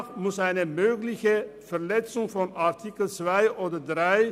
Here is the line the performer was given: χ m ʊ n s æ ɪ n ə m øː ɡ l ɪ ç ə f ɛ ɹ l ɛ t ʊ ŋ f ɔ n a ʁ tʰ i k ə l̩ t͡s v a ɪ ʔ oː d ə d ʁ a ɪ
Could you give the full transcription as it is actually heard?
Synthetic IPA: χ m ʊ s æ ɪ n ə m øː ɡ l ɪ ç ə f ɛ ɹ l ɛ t͡s ʊ ŋ f ɔ n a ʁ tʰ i k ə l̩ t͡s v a ɪ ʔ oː d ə d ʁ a ɪ